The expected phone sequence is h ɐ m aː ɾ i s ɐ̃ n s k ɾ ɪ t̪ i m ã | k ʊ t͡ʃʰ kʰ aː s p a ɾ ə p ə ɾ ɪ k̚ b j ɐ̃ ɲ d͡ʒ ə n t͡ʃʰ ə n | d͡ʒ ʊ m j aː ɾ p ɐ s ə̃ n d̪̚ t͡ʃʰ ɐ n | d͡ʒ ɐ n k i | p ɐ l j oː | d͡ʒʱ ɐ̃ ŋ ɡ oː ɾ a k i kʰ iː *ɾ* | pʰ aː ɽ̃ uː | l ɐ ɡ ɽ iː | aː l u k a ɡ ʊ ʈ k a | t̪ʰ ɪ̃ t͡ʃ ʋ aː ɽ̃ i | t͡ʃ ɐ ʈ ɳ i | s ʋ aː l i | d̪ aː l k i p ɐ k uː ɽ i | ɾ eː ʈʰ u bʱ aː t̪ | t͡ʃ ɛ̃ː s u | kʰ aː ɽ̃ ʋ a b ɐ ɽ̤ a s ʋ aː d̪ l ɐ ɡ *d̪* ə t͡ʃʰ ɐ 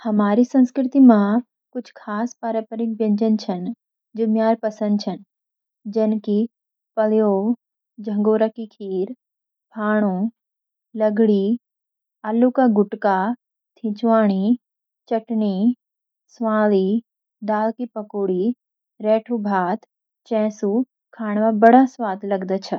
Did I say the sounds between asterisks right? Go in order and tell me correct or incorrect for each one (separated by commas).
correct, correct